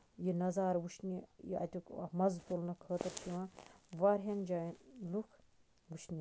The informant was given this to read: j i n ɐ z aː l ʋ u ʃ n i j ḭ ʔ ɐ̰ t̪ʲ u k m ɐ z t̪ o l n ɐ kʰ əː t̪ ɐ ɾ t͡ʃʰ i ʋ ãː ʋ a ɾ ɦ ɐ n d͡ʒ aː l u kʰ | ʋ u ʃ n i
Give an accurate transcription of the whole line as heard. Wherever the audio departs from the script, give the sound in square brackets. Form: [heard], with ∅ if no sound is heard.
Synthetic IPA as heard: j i n ɐ z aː [ɾ] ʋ u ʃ n i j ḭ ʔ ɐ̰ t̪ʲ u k m ɐ z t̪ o l n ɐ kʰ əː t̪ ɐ ɾ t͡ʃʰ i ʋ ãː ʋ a ɾ ɦ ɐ n d͡ʒ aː l u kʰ | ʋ u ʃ n i